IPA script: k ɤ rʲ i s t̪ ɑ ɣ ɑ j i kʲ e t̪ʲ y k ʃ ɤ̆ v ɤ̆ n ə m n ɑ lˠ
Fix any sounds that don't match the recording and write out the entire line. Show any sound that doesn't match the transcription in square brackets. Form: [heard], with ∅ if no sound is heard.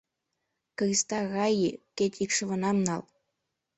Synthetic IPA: k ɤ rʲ i s t̪ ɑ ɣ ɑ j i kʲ e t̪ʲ [i] k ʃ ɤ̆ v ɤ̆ n [ɑ] m n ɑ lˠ